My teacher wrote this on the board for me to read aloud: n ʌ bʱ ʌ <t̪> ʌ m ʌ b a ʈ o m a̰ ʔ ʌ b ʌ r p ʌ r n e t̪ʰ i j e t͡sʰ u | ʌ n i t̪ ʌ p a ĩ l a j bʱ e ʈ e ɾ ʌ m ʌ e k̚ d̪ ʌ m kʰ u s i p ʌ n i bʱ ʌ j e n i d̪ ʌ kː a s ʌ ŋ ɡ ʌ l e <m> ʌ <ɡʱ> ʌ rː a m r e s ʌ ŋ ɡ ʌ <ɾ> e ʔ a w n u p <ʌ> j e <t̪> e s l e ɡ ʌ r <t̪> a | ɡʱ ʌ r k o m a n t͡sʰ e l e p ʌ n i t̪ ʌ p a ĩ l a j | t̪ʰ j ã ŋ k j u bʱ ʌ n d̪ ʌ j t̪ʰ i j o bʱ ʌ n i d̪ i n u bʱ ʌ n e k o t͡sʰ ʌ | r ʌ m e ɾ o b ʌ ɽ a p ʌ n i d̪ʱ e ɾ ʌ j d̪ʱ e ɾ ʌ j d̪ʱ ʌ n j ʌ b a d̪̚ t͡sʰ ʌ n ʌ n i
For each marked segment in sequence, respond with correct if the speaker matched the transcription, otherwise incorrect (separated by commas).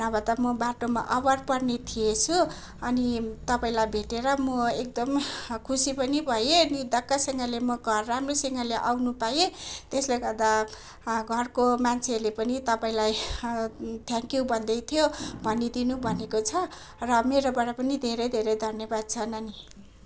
correct, correct, correct, incorrect, incorrect, correct, incorrect